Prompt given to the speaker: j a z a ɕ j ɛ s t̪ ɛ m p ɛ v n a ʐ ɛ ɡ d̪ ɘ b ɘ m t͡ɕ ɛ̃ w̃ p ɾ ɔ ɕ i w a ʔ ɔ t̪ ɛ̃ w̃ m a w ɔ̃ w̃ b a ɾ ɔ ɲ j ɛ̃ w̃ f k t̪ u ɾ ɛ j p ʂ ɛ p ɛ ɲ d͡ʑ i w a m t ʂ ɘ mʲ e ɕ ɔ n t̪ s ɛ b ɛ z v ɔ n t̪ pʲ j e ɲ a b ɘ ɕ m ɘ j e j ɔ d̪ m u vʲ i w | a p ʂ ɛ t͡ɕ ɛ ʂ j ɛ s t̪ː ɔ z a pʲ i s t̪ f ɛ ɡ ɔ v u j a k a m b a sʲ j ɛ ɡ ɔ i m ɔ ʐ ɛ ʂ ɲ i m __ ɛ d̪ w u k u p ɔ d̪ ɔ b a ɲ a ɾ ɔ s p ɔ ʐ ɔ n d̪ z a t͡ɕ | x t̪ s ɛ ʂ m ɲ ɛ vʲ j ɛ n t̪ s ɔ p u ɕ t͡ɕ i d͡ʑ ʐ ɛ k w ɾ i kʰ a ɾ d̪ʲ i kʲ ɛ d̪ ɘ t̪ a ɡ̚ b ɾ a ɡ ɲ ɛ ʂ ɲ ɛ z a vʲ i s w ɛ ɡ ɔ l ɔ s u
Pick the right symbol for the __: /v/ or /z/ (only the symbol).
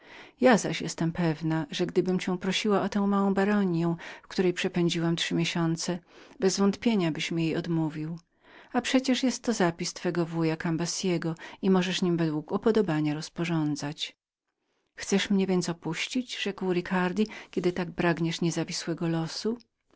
v